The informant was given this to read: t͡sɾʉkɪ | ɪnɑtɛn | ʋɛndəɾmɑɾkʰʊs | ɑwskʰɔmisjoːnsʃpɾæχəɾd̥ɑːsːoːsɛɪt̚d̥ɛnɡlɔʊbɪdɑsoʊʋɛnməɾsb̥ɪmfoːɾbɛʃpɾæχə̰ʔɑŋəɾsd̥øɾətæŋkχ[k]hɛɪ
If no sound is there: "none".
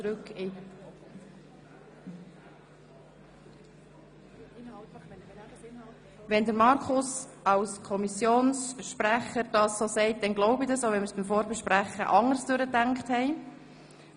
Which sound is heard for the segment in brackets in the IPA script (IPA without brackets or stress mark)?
t